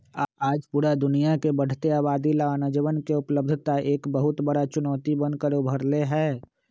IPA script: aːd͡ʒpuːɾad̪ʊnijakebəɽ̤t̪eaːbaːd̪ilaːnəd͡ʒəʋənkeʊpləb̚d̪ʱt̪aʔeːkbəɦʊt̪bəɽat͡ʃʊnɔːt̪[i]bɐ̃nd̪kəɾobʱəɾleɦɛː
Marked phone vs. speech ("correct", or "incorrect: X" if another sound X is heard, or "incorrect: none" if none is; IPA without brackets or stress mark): correct